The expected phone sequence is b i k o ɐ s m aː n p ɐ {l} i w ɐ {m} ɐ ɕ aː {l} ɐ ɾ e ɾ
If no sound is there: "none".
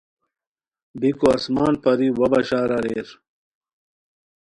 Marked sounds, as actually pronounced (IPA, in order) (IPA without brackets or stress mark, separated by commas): ɾ, b, ɾ